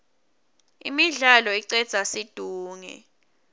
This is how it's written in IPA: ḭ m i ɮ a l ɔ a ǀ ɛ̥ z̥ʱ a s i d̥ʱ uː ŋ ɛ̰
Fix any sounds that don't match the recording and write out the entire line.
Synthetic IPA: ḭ m i ɮ a l ɔ i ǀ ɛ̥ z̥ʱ a s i d̥ʱ uː ŋ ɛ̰